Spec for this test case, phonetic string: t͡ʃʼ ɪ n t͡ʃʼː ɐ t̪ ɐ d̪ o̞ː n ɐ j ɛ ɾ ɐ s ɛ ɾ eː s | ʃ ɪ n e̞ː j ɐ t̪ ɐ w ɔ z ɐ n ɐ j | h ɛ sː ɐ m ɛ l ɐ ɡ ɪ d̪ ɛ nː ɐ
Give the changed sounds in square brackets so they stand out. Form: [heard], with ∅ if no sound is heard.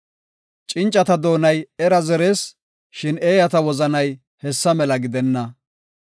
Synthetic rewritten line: t͡ʃʼ ɪ n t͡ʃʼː ɐ t̪ ɐ d̪ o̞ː n ɐ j ɛ ɾ ɐ [z] ɛ ɾ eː s | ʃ ɪ n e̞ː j ɐ t̪ ɐ w ɔ z ɐ n ɐ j | h ɛ sː ɐ m ɛ l ɐ ɡ ɪ d̪ ɛ nː ɐ